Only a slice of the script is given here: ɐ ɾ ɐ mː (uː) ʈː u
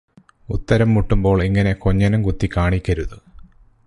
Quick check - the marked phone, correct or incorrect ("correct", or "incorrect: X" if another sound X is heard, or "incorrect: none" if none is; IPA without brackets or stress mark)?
incorrect: u